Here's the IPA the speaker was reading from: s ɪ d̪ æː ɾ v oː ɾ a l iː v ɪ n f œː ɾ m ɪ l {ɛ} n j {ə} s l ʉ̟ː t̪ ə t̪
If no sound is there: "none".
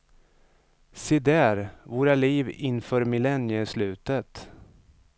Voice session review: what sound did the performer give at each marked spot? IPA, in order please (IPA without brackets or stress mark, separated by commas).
ɛ, ə